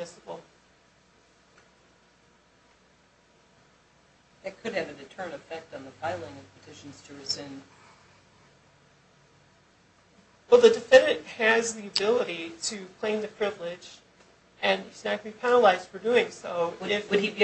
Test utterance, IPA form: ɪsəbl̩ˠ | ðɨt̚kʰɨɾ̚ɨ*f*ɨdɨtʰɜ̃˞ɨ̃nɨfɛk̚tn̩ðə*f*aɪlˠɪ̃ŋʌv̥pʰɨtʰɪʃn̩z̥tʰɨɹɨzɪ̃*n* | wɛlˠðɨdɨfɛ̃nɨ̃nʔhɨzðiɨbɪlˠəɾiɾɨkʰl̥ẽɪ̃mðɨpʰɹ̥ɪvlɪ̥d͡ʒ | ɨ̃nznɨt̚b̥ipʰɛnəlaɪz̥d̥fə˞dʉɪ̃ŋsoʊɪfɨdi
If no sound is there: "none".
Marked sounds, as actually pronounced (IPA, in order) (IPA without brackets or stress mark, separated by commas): v, f, n